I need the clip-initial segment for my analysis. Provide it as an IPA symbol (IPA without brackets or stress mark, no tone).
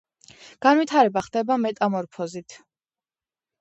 ɡ̥